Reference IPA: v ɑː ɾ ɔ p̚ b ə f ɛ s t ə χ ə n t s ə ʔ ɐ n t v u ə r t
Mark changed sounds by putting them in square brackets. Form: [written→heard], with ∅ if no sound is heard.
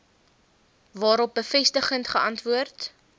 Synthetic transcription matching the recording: v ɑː ɾ ɔ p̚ b ə f ɛ s t ə χ ə n t [s→χ] ə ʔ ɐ n t v u ə r t